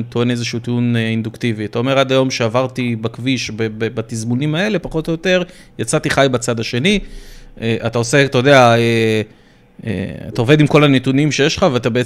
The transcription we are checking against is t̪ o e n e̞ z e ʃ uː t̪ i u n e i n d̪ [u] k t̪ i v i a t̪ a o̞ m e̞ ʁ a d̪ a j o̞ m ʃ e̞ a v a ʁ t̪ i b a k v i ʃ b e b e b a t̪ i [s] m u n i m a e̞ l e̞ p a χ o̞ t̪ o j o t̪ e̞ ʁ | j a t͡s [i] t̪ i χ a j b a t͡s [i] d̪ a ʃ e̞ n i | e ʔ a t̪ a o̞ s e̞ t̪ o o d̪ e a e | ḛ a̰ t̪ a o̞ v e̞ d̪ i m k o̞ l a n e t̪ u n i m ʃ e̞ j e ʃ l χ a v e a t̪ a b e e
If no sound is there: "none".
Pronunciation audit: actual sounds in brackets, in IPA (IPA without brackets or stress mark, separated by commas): u, z, a, a